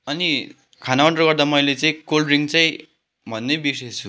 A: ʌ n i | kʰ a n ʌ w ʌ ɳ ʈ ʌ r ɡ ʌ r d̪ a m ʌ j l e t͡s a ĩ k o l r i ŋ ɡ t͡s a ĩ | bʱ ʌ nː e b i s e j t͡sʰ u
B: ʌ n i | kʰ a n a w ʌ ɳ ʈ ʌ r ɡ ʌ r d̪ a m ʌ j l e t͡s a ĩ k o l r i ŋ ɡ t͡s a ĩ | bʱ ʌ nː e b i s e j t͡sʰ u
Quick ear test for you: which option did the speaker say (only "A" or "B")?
B